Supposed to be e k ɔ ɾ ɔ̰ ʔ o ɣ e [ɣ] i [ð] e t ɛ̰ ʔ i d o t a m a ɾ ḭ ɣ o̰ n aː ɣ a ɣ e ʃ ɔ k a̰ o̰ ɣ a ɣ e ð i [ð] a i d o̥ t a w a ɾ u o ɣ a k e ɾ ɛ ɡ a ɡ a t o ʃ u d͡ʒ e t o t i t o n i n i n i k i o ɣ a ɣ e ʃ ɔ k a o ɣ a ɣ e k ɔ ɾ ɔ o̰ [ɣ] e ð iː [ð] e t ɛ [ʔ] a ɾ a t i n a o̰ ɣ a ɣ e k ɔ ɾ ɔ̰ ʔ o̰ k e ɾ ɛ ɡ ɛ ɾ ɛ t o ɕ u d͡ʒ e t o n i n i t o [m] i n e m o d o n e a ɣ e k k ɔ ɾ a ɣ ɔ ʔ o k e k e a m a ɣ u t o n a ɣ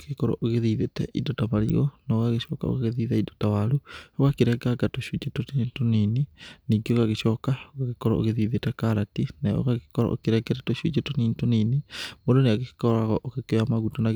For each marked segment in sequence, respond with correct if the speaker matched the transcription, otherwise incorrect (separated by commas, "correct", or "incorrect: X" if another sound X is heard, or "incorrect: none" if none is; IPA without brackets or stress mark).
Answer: incorrect: ð, correct, correct, correct, correct, incorrect: k, incorrect: n